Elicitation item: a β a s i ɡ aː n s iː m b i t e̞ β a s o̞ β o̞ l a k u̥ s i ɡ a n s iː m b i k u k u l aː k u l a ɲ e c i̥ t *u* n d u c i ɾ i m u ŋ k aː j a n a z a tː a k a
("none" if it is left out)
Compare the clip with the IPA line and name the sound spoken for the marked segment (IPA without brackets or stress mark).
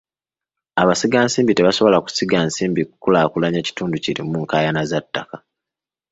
uː